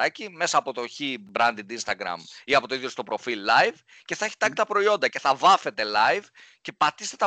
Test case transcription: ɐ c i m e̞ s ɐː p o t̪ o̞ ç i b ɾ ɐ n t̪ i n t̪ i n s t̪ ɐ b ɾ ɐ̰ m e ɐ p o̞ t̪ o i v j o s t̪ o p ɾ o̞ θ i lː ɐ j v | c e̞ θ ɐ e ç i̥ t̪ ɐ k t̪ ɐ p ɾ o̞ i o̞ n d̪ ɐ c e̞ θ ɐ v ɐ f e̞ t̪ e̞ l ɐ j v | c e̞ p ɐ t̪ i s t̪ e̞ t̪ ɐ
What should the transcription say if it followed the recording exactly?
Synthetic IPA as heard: ɐ c i m e̞ s ɐː p o t̪ o̞ ç i b ɾ ɐ n d̪ i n d̪ i n s t̪ ɐ ɡ ɾ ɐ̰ m i ɐ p o̞ t̪ o i ð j o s t̪ o p ɾ o̞ f i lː ɐ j v | c e̞ θ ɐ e ç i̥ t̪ ɐ k t̪ ɐ p ɾ o̞ i o̞ n d̪ ɐ c e̞ θ ɐ v ɐ f e̞ t̪ e̞ l ɐ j v | c e̞ p ɐ t̪ i s t̪ e̞ t̪ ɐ